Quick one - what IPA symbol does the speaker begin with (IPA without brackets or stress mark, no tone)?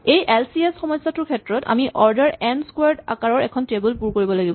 e